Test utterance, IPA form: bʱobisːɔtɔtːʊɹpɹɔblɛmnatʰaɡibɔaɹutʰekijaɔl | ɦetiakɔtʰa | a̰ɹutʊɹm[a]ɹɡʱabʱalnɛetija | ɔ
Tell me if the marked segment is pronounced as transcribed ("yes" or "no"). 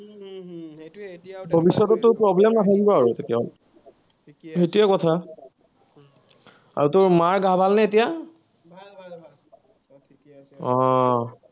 yes